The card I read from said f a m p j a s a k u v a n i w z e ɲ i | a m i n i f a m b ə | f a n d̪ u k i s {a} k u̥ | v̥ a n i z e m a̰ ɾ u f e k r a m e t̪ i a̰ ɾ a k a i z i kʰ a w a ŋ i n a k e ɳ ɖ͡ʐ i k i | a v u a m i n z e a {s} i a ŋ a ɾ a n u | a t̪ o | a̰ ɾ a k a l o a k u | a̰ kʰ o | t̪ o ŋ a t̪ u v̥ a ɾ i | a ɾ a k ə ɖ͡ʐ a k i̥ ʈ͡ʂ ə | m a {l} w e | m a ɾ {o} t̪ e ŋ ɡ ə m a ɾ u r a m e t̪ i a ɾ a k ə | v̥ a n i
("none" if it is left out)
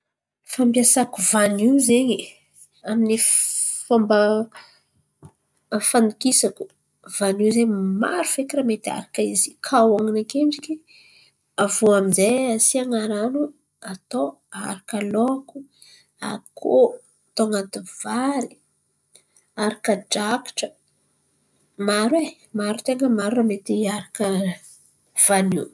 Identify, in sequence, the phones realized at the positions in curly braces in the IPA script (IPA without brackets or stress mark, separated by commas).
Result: a, s, ɾ, u